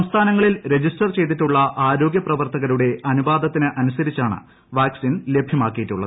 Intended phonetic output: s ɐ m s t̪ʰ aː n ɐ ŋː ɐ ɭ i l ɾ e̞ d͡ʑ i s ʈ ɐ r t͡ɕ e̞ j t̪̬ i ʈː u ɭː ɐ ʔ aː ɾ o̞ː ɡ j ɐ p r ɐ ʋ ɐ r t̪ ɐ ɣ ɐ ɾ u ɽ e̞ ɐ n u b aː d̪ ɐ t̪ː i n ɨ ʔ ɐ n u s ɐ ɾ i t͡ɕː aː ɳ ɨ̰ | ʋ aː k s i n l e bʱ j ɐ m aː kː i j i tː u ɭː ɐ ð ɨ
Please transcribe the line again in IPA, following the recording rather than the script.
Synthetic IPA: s ɐ m s t̪ʰ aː n ɐ ŋː ɐ ɭ i l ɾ e̞ d͡ʑ i s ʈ ɐ r t͡ɕ e̞ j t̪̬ i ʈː u ɭː ɐ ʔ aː ɾ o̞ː ɡ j ɐ p r ɐ ʋ ɐ r t̪ ɐ ɣ ɐ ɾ u ɽ e̞ ɐ n u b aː d̪ ɐ t̪ː i n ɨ ʔ ɐ n u s ɐ ɾ i t͡ɕː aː ɳ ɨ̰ | ʋ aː k s i n l e bʱ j ɐ m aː kː i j i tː u ɭː ɐ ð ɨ